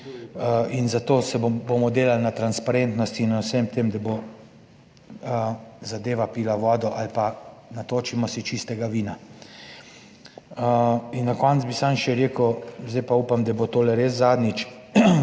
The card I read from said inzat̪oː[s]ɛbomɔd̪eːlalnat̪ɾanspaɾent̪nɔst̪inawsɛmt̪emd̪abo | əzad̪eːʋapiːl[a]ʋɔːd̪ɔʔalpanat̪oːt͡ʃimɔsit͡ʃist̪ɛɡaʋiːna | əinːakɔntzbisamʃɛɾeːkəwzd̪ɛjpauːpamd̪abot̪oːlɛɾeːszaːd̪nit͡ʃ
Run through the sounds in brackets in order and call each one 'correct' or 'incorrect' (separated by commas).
correct, correct